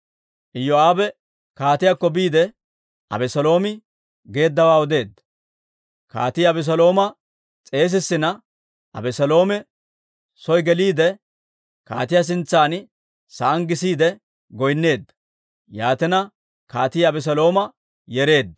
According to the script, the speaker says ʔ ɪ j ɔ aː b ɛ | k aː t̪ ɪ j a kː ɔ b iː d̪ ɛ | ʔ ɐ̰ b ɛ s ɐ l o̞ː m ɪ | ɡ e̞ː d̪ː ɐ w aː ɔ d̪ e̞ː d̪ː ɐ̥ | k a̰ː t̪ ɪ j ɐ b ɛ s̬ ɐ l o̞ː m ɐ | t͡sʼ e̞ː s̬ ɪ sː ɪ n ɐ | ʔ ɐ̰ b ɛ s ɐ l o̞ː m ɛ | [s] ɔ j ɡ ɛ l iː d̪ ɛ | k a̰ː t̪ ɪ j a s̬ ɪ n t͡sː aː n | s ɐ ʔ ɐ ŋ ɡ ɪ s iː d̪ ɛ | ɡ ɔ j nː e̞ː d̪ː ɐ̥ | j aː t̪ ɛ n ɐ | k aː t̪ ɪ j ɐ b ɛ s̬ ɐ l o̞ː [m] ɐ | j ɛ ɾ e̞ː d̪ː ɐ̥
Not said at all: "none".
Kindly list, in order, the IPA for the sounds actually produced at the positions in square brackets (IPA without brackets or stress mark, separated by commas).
s, m